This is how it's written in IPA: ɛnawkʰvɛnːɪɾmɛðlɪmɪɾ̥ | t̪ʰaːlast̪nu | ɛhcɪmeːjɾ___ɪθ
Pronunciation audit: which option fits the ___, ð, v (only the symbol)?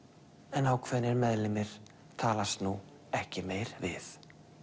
v